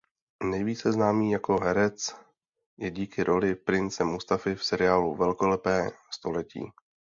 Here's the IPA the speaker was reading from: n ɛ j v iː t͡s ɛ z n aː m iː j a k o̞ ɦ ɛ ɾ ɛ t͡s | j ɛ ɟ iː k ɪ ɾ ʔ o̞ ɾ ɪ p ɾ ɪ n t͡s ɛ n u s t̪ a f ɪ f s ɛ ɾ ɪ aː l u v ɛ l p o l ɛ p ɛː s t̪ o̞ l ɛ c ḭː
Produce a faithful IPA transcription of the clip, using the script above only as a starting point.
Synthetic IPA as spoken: n ɛ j v iː t͡s ɛ z n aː m iː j a k o̞ ɦ ɛ ɾ ɛ t͡s | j ɛ ɟ iː k ɪ ɾ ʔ o̞ l ɪ p ɾ ɪ n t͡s ɛ m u s t̪ a f ɪ f s ɛ ɾ ɪ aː l u v ɛ l k o l ɛ p ɛː s t̪ o̞ l ɛ c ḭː